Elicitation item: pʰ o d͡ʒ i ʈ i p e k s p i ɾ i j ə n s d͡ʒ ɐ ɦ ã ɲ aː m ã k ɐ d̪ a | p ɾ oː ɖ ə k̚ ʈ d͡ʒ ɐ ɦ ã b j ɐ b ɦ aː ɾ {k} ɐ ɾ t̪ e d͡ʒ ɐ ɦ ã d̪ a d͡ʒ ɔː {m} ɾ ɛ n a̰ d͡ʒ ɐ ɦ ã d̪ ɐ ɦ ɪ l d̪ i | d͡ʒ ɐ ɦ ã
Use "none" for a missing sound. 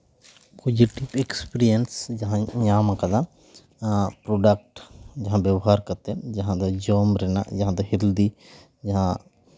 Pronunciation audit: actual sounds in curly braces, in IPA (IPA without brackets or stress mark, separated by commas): k, m